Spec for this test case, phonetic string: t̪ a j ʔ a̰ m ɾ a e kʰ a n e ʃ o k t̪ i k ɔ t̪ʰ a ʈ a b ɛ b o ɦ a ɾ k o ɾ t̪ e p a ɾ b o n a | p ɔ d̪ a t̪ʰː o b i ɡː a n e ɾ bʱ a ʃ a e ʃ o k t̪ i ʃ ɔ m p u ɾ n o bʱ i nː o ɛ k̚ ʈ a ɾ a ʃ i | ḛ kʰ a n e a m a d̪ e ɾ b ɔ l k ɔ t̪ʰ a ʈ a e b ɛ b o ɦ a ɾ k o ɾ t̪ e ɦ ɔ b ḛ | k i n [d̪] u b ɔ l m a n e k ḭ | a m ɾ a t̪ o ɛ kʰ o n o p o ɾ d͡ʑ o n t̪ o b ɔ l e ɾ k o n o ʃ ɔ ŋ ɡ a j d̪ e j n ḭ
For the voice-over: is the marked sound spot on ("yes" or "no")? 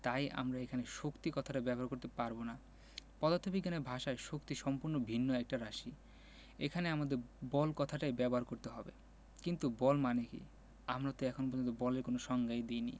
no